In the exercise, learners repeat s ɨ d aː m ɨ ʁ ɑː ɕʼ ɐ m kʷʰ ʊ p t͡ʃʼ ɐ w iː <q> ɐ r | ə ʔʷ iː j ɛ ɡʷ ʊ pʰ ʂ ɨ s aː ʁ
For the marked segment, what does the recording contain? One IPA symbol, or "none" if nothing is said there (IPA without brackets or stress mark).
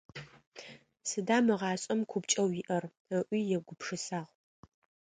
ʔ